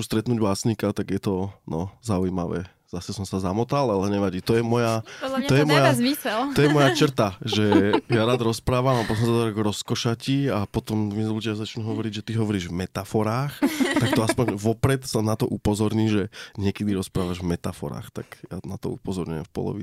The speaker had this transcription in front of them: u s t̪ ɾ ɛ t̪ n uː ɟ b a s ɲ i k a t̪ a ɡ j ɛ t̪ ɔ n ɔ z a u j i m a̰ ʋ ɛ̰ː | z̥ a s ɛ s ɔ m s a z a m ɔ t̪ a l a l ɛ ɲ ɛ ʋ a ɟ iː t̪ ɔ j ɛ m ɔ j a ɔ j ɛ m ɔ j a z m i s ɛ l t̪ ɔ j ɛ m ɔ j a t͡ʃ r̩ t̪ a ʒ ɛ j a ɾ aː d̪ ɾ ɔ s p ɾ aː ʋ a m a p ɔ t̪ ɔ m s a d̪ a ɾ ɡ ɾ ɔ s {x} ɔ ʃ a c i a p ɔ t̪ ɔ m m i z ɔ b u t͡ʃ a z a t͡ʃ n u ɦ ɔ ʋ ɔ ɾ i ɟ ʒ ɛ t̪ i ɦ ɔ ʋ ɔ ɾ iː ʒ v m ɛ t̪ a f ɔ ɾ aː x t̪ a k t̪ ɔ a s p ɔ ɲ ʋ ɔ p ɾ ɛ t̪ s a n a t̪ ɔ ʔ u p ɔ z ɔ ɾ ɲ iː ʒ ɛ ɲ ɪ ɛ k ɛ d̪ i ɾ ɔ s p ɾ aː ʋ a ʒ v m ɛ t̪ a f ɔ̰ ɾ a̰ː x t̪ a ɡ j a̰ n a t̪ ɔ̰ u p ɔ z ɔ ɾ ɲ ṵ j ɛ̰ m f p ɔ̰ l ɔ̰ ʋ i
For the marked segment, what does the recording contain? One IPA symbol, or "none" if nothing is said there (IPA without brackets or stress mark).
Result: k